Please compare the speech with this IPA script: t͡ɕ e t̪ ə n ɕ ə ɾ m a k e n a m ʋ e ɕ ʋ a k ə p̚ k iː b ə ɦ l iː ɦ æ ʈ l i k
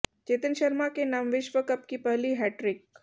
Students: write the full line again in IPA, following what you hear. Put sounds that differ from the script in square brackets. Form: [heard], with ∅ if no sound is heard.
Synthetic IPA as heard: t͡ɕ e t̪ ə n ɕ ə ɾ m a k e n a m ʋ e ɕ ʋ [ə] k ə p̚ k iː [p] ə ɦ l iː ɦ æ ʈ [ɾ] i k